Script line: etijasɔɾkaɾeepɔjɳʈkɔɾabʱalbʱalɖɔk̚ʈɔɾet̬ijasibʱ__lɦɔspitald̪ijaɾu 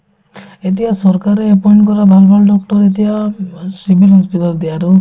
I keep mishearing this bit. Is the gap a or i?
i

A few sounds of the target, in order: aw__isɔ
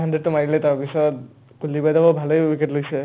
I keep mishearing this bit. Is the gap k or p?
p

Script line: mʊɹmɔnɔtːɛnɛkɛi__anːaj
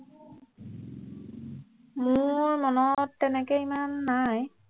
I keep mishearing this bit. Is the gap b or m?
m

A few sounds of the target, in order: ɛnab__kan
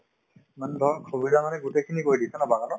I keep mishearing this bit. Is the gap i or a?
a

